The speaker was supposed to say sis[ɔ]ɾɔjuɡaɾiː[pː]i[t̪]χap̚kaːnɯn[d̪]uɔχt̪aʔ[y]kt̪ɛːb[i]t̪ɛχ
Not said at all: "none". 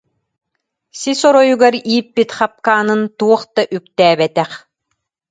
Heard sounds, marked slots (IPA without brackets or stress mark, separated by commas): ɔ, pː, t̪, t̪, y, ɛ